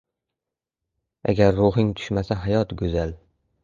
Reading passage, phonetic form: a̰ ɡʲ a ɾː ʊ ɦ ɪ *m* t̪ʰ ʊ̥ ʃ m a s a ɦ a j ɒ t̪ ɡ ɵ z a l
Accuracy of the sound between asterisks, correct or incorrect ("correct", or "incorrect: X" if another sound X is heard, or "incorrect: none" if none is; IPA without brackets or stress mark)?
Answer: incorrect: ŋ